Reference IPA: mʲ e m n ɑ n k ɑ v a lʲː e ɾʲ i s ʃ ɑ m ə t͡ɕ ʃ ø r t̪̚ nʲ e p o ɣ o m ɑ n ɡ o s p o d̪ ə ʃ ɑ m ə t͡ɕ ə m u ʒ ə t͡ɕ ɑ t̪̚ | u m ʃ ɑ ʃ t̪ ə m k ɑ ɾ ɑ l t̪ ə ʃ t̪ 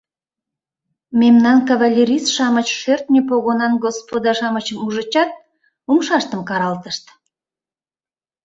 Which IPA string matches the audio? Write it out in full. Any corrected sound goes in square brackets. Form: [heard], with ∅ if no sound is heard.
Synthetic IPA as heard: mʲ e m n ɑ n k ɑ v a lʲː e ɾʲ i s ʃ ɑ m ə t͡ɕ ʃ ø r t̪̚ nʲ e p o ɣ o [n] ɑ n ɡ o s p o d̪ [ɑ] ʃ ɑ m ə t͡ɕ ə m u ʒ ə t͡ɕ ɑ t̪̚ | u m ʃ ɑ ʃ t̪ ə m k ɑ ɾ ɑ l t̪ ə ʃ t̪